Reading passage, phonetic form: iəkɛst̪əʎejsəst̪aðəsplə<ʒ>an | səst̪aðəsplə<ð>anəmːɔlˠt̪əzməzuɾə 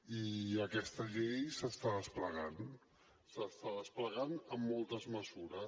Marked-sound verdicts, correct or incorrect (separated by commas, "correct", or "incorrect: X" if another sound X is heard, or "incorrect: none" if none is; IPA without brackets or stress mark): incorrect: ɣ, incorrect: ɣ